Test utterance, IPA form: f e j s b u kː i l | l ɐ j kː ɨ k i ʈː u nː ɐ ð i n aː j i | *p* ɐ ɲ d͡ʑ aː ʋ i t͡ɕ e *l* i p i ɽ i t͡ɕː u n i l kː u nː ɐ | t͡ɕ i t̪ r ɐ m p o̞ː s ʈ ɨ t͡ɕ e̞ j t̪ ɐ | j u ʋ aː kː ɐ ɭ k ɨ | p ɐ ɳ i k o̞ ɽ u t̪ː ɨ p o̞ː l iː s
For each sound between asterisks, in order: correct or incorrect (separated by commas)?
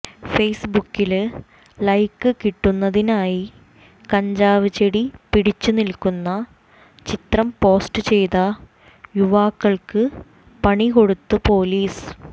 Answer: incorrect, incorrect